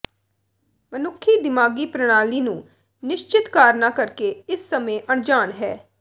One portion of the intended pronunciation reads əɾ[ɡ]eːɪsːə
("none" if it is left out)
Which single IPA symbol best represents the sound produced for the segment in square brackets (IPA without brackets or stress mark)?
k